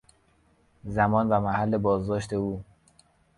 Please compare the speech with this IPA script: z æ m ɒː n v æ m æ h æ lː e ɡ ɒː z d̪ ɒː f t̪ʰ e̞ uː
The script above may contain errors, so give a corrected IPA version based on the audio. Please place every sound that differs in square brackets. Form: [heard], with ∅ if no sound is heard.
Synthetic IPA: z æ m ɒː n v æ m æ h æ lː e [b] ɒː z d̪ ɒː [ʃ] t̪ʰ e̞ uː